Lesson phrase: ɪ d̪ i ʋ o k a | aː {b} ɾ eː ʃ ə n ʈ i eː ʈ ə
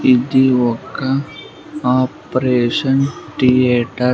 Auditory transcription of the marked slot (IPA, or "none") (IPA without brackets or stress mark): p